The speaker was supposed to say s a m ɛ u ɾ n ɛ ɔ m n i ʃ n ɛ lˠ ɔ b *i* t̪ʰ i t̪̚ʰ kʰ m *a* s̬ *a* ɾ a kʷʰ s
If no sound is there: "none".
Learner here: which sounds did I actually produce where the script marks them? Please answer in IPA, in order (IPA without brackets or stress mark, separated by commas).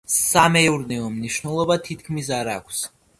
a, i, a